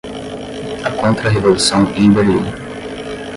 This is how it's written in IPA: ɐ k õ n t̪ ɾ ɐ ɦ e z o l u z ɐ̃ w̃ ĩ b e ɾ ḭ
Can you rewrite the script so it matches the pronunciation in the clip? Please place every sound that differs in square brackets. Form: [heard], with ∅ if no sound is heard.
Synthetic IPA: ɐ k õ n t̪ ɾ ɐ ɦ e [v] o l u [s] ɐ̃ w̃ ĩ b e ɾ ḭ